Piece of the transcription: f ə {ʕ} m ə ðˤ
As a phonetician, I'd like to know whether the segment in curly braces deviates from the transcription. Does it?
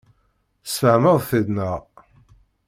no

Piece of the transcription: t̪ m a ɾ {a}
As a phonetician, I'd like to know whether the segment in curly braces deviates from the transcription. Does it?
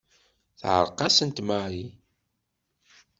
yes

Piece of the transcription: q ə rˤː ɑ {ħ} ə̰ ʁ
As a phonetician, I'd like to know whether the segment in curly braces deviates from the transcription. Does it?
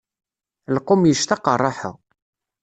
no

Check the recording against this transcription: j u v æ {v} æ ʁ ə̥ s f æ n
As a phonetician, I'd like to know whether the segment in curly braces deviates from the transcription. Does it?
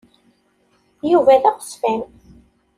yes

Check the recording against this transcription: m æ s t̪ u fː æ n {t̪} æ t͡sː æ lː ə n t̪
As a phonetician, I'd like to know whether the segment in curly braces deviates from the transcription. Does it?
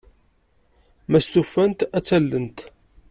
no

